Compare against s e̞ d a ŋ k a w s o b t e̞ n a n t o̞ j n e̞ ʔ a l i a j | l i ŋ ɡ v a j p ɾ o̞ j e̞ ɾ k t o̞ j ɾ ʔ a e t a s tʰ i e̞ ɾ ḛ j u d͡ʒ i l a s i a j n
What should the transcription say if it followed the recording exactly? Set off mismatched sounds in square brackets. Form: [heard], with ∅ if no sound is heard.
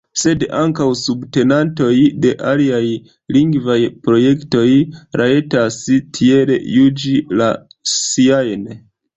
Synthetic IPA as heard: s e̞ d a ŋ k a w s [u] b t e̞ n a n t o̞ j [d] e̞ ʔ a l i a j | l i ŋ ɡ v a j p ɾ o̞ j e̞ [∅] k t o̞ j ɾ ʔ a e t a s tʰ i e̞ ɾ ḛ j u d͡ʒ i l a s i a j n